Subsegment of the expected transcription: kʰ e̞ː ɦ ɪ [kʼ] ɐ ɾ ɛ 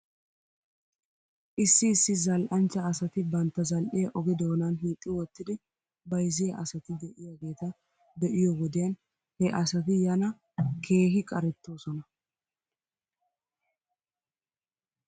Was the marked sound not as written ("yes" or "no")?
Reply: no